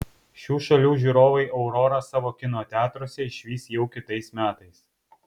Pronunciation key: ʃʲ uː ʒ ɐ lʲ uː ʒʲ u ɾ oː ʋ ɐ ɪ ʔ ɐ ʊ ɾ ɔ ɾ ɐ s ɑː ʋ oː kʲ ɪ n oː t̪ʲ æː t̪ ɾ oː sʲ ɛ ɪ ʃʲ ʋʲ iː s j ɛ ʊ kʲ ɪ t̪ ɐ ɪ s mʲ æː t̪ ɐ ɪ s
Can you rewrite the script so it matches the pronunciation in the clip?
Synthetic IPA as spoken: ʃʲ uː ʃ ɐ lʲ uː ʒʲ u ɾ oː ʋ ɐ ɪ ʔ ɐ ʊ ɾ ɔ ɾ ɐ s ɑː ʋ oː kʲ ɪ n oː t̪ʲ æː t̪ ɾ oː sʲ ɛ ɪ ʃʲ ʋʲ iː s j ɛ ʊ kʲ ɪ t̪ ɐ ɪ s mʲ æː t̪ ɐ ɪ s